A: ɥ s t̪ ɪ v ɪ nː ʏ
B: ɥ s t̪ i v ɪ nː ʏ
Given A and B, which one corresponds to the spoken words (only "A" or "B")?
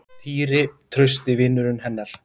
A